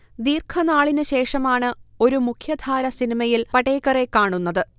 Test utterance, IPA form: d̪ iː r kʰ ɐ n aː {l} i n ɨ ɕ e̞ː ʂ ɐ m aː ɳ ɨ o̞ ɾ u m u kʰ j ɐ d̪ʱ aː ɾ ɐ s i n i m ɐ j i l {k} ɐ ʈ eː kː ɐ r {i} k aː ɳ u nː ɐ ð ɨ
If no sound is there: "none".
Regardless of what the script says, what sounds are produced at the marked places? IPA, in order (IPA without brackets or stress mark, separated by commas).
ɭ, p, e